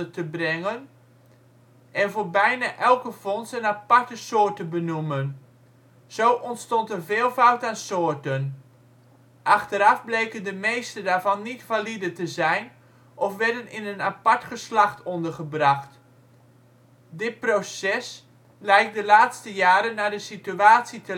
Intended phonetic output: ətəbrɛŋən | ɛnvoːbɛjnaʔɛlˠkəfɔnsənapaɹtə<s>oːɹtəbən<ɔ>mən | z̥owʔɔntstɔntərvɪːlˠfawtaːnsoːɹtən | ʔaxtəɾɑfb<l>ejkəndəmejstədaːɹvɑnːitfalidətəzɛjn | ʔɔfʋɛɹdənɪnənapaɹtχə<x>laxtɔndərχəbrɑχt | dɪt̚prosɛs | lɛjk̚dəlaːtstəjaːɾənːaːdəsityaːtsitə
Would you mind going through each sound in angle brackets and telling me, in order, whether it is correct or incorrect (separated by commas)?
correct, incorrect, correct, incorrect